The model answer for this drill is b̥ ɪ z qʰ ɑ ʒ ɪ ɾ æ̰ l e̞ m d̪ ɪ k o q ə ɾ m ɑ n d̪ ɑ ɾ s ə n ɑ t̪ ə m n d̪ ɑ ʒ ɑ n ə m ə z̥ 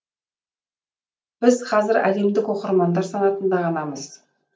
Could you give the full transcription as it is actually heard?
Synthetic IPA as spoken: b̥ ɪ z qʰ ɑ z ɪ ɾ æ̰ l e̞ m d̪ ɪ k o q ə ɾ m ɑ n d̪ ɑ ɾ s ɑ n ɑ t̪ ə n d̪ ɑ ʁ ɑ n ɑ m ə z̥